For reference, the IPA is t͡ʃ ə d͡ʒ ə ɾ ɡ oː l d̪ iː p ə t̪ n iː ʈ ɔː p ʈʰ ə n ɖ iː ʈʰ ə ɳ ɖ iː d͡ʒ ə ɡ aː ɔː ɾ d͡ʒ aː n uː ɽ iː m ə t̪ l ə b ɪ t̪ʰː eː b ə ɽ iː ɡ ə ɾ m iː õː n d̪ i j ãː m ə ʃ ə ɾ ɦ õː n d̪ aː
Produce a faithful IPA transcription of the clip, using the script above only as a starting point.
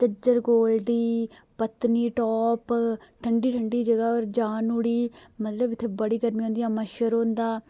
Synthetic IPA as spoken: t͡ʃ ə d͡ʒ ə ɾ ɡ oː l d̪ iː p ə t̪ n iː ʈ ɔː p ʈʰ ə ɳ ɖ iː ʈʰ ə ɳ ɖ iː d͡ʒ ə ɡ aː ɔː ɾ d͡ʒ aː n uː ɽ iː m ə t̪ l ə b ɪ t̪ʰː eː b ə ɽ iː ɡ ə ɾ m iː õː n d̪ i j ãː m ə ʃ ə ɾ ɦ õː n d̪ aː